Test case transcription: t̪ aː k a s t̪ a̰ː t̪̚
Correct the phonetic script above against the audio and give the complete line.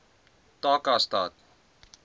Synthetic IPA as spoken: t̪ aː k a s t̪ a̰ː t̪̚